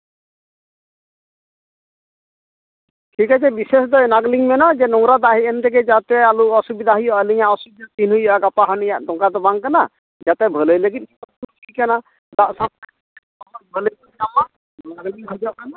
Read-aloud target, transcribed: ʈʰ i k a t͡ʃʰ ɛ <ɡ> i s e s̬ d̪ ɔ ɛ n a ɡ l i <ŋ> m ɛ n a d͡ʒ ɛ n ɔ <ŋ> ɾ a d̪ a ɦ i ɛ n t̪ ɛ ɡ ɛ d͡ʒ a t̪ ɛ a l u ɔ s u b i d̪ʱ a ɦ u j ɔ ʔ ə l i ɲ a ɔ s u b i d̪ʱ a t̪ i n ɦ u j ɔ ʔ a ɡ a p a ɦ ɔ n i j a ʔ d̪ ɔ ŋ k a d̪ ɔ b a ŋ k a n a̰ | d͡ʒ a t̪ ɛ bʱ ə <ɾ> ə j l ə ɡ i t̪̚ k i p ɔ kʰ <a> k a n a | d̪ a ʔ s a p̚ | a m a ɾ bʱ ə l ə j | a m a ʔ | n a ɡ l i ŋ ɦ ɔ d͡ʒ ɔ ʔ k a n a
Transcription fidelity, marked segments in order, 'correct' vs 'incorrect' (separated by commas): incorrect, correct, correct, incorrect, incorrect